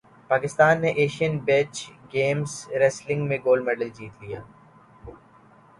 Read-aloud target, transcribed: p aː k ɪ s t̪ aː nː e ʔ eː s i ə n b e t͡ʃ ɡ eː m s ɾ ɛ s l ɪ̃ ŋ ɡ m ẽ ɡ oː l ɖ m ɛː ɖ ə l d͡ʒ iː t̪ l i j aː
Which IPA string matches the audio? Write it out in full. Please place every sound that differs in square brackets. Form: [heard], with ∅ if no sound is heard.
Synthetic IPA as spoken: p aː k ɪ s t̪ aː nː e ʔ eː [ʃ] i ə n b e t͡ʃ ɡ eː m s ɾ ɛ s l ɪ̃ ŋ ɡ m ẽ ɡ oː l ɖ m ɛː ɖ ə l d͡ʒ iː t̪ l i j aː